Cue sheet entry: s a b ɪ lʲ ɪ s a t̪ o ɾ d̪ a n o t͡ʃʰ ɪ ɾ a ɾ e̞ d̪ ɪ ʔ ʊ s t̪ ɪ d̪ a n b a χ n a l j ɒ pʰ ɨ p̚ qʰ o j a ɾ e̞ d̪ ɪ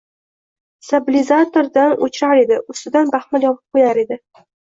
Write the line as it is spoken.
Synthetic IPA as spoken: s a b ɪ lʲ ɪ z a t̪ o ɾ d̪ a n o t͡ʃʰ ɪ ɾ a ɾ e̞ d̪ ɪ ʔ ʊ s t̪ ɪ d̪ a n b a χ m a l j ɒ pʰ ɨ p̚ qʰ o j a ɾ e̞ d̪ ɪ

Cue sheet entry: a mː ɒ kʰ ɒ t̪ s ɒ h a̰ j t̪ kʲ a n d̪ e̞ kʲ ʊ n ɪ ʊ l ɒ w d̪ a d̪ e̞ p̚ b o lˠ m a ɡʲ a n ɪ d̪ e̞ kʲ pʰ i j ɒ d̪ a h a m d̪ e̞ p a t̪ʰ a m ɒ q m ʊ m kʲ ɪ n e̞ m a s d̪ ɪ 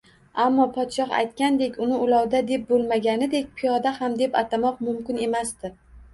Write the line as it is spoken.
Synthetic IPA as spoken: a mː ɒ pʰ ɒ t̪ ʃ ɒ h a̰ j t̪ kʲ a n d̪ e̞ kʲ ʊ n ɪ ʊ l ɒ w d̪ a d̪ e̞ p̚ b o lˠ m a ɡʲ a n ɪ d̪ e̞ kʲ pʰ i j ɒ d̪ a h a m d̪ e̞ p a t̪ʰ a m ɒ q m ʊ m kʲ ɪ n e̞ m a s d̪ ɪ

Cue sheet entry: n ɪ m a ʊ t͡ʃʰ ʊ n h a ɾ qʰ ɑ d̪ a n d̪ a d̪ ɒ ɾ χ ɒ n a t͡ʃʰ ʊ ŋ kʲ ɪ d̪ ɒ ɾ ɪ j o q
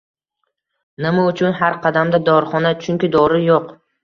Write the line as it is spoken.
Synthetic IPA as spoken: n ɪ m a ʊ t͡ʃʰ ʊ n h a ɾ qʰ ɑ d̪ a m d̪ a d̪ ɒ ɾ χ ɒ n a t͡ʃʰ ʊ ŋ kʲ ɪ d̪ ɒ ɾ ɪ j o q

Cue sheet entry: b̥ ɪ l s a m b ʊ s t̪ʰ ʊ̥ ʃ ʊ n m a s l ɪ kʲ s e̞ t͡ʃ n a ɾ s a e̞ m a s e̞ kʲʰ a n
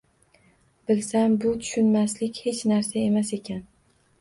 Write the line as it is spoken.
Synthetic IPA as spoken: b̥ ɪ l s a m b ʊ t̪ʰ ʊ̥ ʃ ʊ n m a s l ɪ kʲ h e̞ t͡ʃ n a ɾ s a e̞ m a s e̞ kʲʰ a n

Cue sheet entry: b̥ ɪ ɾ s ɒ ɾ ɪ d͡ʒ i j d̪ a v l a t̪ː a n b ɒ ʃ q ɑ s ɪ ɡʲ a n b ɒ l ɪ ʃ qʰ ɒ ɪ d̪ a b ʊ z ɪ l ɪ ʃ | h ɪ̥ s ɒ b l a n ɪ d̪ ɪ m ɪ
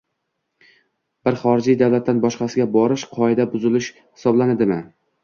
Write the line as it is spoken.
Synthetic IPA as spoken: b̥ ɪ ɾ χ ɒ ɾ ɪ d͡ʒ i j d̪ a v l a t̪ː a n b ɒ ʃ q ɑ s ɪ ɡʲ a b ɒ ɾ ɪ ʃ qʰ ɒ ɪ d̪ a b ʊ z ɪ l ɪ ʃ | h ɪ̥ s ɒ b l a n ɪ d̪ ɪ m ɪ

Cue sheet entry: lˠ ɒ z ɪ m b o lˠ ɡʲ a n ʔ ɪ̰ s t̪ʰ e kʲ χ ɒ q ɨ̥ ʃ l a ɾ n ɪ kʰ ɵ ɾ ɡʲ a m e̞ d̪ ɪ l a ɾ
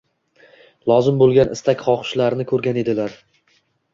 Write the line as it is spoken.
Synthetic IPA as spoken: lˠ ɒ z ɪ m b o lˠ ɡʲ a n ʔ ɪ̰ s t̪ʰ a kʲ χ ɒ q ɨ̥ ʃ l a ɾ n ɪ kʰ ɵ ɾ ɡʲ a n e̞ d̪ ɪ l a ɾ

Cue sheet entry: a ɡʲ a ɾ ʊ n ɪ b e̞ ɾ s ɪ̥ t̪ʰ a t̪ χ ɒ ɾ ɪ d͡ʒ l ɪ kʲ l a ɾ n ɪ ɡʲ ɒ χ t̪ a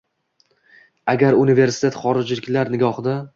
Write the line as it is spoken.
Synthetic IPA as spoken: a ɡʲ a ɾ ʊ n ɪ v e̞ ɾ s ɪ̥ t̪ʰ e t̪ χ ɒ ɾ ɪ d͡ʒ l ɪ kʲ l a ɾ n ɪ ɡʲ ɒ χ d̪ a

